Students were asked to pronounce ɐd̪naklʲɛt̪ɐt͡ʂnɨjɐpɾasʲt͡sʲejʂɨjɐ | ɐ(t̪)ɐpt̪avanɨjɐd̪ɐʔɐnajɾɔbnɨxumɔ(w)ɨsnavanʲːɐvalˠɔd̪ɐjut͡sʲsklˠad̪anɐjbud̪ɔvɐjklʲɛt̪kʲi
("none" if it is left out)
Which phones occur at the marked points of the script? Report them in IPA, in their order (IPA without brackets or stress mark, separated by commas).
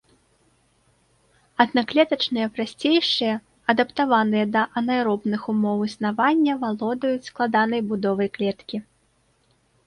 d̪, w